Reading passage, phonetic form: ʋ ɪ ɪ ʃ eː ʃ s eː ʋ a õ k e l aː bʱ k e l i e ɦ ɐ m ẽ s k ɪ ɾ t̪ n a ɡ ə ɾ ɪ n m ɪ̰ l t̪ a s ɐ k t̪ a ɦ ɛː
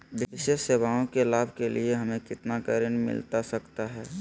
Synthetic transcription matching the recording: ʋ ɪ ɪ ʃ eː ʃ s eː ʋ a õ k e l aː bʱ k e l i e ɦ ɐ m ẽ k ɪ t̪ n a k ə ɾ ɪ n m ɪ̰ l t̪ a s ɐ k t̪ a ɦ ɛː

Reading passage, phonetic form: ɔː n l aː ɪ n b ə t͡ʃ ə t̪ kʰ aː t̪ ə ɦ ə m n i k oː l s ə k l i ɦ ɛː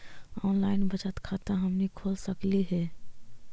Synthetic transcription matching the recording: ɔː n l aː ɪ n b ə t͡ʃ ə t̪ kʰ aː t̪ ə ɦ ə m n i kʰ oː l s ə k l i ɦ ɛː

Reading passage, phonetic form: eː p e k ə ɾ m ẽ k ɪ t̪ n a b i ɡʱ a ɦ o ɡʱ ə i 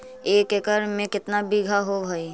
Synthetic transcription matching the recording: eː k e k ə ɾ m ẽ k ɪ t̪ n a b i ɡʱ a ɦ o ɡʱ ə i

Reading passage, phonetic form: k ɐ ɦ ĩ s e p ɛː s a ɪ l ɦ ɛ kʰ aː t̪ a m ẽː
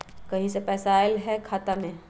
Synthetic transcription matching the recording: k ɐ ɦ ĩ s e p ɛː s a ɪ l ɦ ɛ kʰ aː t̪ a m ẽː

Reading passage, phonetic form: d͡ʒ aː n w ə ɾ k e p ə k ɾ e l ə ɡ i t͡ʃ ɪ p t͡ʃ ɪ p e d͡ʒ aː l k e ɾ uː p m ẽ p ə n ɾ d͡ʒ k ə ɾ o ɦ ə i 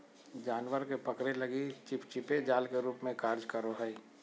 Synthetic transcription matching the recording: d͡ʒ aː n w ə ɾ k e p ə k ɾ e l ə ɡ i t͡ʃ ɪ p t͡ʃ ɪ p e d͡ʒ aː l k e ɾ uː p m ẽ k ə ɾ d͡ʒ k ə ɾ o ɦ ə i

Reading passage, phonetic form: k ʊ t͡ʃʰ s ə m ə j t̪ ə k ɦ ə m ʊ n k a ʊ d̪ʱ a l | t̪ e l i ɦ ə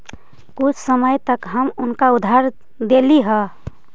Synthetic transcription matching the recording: k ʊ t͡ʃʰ s ə m ə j t̪ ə k ɦ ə m ʊ n k a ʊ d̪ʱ a ɾ | d̪ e l i ɦ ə

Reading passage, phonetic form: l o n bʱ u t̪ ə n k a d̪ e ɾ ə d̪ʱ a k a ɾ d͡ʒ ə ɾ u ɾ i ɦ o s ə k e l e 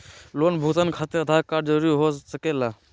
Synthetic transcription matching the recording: l o n bʱ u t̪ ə n kʰ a t̪ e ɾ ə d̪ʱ a k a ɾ d͡ʒ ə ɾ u ɾ i ɦ o s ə k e l a

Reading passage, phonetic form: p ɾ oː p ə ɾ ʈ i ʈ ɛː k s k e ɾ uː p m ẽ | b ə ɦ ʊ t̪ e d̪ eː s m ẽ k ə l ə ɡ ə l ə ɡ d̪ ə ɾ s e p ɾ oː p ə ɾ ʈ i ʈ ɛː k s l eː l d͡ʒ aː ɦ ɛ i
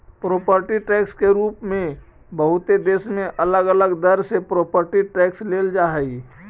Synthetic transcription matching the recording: p ɾ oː p ə ɾ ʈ i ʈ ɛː k s k e ɾ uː p m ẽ | b ə ɦ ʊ t̪ e d̪ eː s m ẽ ʔ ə l ə ɡ ə l ə ɡ d̪ ə ɾ s e p ɾ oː p ə ɾ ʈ i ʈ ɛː k s l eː l d͡ʒ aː ɦ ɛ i

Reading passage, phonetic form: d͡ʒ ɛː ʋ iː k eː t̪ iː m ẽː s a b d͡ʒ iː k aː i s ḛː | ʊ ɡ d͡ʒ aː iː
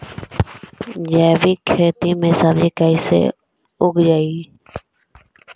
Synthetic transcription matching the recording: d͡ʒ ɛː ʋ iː kʰ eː t̪ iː m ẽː s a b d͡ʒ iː k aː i s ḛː | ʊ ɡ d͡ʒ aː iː

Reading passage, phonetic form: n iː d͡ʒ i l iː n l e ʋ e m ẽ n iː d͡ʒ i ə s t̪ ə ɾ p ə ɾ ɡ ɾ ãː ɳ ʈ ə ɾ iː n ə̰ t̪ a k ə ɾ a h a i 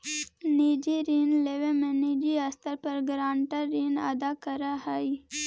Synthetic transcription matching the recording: n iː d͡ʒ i ɾ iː n l e ʋ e m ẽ n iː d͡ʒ i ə s t̪ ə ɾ p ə ɾ ɡ ɾ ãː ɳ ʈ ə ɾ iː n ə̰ d̪ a k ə ɾ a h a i

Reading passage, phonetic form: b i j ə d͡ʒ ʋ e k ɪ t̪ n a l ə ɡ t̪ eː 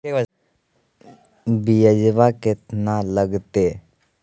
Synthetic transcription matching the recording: b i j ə d͡ʒ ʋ a k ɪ t̪ n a l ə ɡ t̪ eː

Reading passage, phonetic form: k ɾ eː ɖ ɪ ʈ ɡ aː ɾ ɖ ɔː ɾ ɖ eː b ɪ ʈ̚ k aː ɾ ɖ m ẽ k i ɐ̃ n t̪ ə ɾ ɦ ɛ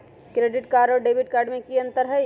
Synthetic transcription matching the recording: k ɾ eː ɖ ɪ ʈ k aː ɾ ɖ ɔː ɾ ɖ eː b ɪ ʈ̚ k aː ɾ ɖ m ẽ k i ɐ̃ n t̪ ə ɾ ɦ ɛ

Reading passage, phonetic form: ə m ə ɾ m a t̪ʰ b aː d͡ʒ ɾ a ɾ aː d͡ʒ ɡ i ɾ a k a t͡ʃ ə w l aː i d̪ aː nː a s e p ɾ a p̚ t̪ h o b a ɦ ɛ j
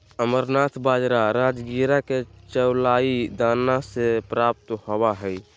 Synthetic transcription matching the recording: ə m ə ɾ n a t̪ʰ b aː d͡ʒ ɾ a ɾ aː d͡ʒ ɡ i ɾ a k e t͡ʃ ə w l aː i d̪ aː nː a s e p ɾ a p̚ t̪ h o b a ɦ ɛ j

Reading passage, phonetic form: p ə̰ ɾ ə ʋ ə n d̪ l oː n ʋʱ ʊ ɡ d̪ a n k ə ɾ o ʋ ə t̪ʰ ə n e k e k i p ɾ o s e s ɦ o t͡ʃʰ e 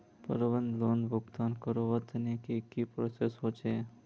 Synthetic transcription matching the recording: p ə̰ ɾ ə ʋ ə n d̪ l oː n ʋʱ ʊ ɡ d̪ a n k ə ɾ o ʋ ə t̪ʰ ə n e k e k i p ɾ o s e s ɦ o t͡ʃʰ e

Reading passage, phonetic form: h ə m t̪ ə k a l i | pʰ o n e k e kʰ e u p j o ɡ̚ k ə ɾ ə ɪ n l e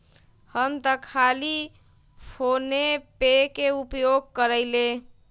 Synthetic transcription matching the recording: h ə m t̪ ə kʰ a l i | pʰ o n e p e k e u p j o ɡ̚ k ə ɾ ə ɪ l e

